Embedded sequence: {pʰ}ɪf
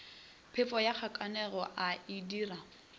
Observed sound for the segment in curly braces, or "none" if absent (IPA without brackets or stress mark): pʰ